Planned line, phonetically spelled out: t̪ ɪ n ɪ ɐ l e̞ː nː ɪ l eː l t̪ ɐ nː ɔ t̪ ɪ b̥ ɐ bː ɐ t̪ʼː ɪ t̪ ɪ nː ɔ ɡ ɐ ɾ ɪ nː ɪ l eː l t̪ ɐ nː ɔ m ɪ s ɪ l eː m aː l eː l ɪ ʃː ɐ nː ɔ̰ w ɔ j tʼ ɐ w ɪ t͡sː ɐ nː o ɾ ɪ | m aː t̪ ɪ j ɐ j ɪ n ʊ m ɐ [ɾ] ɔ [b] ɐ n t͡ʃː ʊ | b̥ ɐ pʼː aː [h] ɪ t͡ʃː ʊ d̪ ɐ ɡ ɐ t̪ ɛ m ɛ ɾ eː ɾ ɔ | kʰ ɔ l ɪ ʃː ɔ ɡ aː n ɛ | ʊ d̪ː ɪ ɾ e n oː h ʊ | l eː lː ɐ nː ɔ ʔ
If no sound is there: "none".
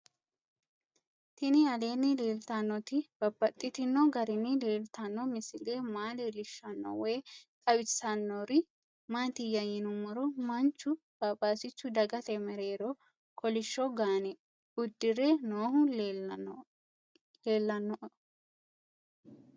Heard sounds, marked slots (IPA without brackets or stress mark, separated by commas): ɾ, m, s